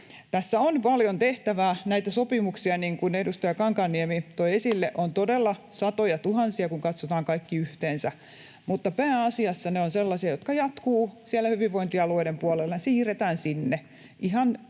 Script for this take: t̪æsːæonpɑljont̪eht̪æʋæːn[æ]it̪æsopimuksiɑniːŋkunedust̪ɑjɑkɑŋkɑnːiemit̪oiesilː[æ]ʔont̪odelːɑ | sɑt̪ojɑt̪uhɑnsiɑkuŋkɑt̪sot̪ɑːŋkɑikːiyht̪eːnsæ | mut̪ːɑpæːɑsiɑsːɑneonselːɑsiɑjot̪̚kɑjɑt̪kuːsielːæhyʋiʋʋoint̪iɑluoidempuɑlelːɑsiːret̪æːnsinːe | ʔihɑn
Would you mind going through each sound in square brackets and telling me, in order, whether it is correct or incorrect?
correct, incorrect

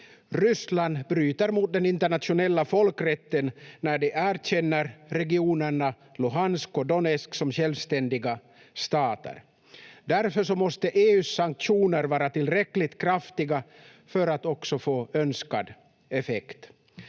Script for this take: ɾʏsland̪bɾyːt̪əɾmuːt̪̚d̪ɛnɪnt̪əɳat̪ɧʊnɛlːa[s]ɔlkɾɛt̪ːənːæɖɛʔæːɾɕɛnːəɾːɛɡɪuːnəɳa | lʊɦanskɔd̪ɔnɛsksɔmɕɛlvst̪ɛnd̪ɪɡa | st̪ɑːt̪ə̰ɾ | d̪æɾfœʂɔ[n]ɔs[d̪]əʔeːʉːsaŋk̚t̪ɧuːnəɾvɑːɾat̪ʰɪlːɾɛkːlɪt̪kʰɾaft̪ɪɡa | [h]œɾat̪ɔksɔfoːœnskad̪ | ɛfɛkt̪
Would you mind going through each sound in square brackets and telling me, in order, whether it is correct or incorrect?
incorrect, incorrect, incorrect, incorrect

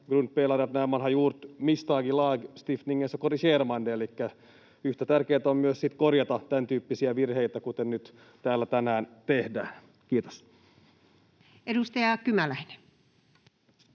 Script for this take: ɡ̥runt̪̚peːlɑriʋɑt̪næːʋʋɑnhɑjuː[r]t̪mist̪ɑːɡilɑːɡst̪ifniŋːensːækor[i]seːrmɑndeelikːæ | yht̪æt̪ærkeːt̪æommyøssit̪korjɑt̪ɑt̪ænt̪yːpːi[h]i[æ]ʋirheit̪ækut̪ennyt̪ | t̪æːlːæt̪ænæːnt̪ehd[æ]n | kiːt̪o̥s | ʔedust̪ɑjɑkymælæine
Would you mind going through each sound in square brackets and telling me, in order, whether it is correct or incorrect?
correct, correct, incorrect, correct, incorrect

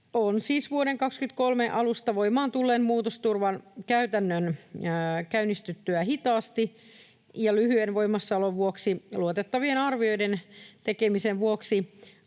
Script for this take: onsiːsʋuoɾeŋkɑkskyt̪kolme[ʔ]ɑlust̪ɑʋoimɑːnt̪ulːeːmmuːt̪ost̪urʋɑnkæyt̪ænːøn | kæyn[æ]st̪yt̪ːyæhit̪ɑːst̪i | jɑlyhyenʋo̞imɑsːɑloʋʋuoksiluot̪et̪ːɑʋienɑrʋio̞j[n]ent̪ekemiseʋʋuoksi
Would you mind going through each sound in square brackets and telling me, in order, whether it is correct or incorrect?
correct, incorrect, incorrect

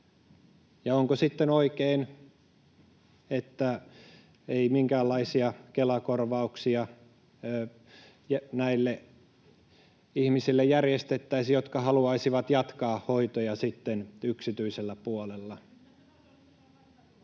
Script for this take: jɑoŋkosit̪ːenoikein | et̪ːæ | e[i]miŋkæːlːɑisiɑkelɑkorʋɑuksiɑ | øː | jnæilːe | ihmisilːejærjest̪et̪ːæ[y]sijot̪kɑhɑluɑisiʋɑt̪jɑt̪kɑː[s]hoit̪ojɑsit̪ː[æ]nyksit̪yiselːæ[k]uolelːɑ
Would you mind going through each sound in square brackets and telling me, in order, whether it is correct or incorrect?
correct, incorrect, incorrect, incorrect, incorrect

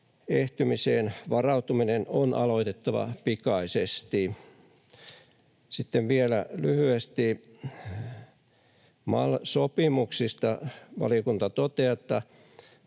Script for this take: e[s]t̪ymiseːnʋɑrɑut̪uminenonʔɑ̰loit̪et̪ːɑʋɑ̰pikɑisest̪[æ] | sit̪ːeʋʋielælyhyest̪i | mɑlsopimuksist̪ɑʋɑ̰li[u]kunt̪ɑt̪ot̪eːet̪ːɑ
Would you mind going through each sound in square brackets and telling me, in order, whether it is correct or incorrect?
incorrect, incorrect, incorrect

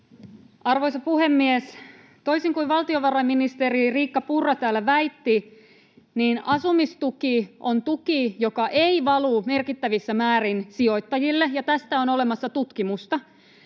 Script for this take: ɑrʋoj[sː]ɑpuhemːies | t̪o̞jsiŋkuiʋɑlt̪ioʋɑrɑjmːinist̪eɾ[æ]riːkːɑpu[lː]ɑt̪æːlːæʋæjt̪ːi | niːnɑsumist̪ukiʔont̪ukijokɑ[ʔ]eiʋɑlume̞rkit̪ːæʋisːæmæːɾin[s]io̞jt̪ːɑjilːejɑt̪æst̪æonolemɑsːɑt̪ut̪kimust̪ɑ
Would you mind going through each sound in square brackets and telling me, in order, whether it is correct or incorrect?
incorrect, incorrect, incorrect, correct, correct

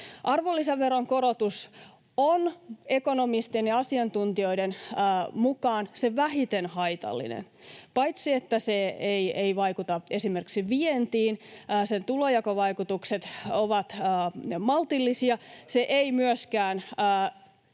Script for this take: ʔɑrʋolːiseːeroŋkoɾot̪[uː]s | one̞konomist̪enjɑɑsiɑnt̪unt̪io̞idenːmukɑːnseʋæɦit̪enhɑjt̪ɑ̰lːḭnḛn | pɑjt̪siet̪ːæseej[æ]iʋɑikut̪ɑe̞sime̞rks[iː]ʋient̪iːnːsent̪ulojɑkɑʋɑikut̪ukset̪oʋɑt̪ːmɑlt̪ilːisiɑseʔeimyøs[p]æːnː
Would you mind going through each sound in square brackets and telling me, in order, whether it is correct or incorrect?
incorrect, incorrect, incorrect, incorrect

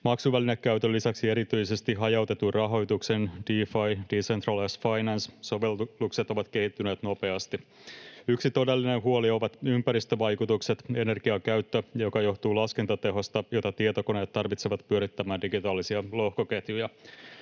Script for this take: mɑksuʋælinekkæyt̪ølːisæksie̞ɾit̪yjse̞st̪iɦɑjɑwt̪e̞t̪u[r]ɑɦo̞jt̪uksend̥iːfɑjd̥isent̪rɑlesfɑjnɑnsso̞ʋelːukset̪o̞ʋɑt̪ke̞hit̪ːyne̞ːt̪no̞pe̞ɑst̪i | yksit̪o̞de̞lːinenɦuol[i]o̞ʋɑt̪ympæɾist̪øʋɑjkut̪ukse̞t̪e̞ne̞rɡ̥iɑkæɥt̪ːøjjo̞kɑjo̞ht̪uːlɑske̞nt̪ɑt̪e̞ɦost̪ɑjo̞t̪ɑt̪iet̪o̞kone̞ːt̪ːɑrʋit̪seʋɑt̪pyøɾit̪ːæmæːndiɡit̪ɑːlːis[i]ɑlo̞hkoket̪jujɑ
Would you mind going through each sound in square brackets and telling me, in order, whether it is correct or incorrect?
correct, correct, correct

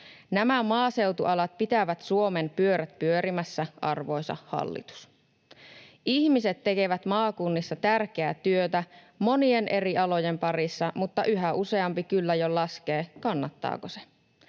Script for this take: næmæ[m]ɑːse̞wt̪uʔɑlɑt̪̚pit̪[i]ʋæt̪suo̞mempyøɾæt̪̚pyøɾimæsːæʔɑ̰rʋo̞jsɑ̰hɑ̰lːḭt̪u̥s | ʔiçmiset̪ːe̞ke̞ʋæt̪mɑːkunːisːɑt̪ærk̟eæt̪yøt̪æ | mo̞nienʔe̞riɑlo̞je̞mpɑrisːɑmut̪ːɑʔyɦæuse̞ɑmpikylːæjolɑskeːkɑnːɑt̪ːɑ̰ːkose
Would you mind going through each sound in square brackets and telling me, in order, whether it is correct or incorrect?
correct, incorrect

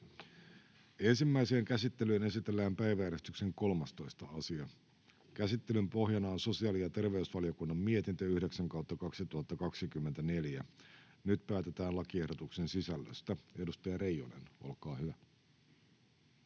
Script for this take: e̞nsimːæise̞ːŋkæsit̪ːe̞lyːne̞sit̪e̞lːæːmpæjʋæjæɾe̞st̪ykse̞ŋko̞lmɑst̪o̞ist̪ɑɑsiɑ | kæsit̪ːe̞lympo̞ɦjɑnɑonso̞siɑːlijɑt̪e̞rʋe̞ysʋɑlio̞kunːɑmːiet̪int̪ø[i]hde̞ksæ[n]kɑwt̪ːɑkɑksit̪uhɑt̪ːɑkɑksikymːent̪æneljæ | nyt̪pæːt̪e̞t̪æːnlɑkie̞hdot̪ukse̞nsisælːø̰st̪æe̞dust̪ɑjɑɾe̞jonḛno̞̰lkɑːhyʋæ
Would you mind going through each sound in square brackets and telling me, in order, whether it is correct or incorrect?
incorrect, incorrect

